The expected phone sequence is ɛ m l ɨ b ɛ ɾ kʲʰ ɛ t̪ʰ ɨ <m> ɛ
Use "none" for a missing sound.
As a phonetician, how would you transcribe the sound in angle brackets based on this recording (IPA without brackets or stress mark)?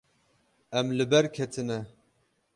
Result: n